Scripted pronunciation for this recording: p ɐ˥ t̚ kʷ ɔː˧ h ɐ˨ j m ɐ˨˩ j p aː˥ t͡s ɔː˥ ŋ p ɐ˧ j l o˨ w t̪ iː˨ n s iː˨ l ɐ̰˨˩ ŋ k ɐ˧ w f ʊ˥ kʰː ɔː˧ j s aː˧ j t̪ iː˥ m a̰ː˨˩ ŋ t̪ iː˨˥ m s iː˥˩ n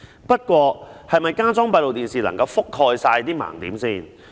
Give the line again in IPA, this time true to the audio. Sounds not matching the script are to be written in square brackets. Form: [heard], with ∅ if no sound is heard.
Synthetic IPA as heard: p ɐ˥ t̚ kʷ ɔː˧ h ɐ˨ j m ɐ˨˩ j [k] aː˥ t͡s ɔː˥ ŋ p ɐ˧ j l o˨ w t̪ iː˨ n s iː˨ l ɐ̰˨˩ ŋ k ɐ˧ w f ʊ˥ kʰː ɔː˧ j s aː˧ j t̪ iː˥ m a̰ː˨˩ ŋ t̪ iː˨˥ m s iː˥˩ n